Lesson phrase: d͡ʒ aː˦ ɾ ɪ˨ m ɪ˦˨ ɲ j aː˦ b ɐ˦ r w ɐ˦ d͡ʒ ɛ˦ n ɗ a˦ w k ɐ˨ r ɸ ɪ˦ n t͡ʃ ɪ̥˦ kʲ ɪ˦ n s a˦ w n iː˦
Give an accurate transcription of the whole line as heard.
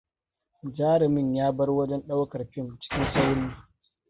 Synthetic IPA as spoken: d͡ʒ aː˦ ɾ ɪ˨ m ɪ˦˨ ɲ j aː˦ b ɐ˦ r w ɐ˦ d͡ʒ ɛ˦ n ɗ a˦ w k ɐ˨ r ɸ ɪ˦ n t͡ʃ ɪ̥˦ kʲ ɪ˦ n s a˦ w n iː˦